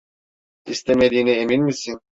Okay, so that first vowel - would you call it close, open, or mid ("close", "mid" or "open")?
close